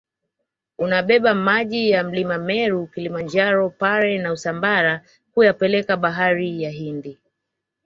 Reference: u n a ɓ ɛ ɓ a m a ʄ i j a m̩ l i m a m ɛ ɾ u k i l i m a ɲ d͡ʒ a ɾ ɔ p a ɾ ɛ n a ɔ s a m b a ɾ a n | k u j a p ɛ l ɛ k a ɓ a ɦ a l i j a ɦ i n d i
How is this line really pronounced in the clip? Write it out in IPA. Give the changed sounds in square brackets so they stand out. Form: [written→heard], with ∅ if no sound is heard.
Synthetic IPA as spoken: u n a ɓ ɛ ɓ a m a ʄ i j a m̩ l i m a m ɛ ɾ u k i l i m a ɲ d͡ʒ a ɾ ɔ p a ɾ ɛ n a [ɔ→u] s a m b a ɾ a [n→∅] | k u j a p ɛ l ɛ k a ɓ a ɦ a [l→ɾ] i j a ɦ i n d i